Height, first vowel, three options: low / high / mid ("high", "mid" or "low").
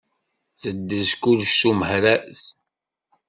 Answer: mid